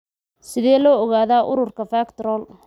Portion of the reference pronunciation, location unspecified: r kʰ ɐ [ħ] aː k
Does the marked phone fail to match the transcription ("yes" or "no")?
yes